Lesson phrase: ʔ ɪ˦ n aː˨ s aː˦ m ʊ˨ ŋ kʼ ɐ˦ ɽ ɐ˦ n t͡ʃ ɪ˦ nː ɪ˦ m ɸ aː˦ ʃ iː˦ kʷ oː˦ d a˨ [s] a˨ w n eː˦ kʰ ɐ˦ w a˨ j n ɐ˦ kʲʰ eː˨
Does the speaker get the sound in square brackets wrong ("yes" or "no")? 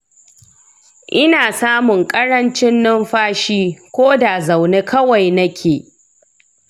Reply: yes